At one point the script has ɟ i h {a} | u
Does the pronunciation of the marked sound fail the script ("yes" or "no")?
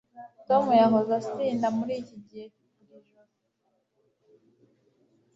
yes